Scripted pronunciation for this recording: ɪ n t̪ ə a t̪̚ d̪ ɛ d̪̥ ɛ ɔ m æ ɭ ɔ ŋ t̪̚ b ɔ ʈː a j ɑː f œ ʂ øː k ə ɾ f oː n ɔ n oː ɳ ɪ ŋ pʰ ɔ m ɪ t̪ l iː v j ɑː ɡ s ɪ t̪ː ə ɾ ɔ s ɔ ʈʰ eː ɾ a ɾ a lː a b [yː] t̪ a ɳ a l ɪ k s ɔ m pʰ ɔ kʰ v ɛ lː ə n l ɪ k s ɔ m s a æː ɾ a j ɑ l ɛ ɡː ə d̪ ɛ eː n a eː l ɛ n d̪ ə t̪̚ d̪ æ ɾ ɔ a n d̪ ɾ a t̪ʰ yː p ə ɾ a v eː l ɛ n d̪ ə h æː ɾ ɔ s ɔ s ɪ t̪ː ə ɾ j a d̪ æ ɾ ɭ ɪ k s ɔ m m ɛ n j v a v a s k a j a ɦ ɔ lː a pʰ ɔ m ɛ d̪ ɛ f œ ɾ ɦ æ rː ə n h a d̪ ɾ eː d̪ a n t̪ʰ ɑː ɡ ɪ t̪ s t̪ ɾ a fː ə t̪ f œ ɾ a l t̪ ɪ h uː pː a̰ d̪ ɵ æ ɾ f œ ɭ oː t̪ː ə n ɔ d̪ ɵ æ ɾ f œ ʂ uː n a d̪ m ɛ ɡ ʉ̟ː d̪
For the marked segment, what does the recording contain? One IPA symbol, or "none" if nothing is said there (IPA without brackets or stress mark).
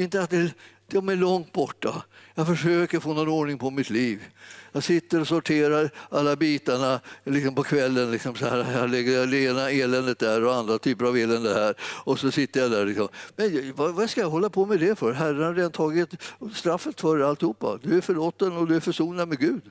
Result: iː